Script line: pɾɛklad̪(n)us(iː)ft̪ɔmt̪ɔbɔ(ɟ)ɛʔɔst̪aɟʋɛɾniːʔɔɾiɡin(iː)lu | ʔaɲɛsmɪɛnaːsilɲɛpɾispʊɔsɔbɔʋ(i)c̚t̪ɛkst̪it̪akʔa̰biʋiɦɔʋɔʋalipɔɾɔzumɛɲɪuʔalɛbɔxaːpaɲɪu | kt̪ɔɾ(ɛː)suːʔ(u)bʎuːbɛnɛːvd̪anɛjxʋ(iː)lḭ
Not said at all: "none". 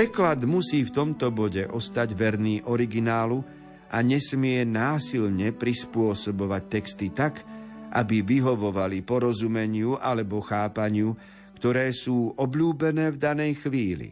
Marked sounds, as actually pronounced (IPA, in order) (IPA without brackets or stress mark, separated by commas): m, iː, ɟ, aː, a, ɛː, ɔ, iː